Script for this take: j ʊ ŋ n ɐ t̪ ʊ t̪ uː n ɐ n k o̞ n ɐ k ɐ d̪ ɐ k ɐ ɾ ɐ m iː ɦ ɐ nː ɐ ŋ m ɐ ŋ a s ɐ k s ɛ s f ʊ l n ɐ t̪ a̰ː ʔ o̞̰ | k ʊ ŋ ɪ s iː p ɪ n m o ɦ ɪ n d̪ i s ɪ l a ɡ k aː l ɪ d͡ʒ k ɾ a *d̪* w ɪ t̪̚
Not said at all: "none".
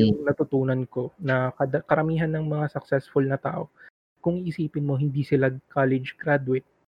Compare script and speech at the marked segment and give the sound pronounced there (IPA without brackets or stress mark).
d̪